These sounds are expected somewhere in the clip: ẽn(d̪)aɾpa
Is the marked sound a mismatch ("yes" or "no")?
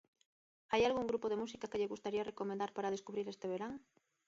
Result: no